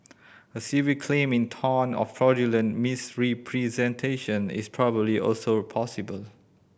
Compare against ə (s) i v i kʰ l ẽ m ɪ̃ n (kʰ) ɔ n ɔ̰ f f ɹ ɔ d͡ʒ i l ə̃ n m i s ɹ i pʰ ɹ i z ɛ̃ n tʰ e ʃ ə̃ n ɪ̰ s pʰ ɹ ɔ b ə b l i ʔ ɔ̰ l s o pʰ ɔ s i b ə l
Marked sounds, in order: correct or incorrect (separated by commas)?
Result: correct, incorrect